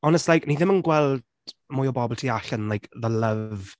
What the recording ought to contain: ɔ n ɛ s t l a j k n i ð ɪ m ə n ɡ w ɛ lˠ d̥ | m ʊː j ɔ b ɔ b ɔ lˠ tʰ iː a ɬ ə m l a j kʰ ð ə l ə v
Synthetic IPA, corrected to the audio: ɔ n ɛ s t l a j k n i ð ɪ m ə n ɡ w ɛ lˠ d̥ | m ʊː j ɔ b ɔ b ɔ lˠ tʰ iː a ɬ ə n l a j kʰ ð ə l ə v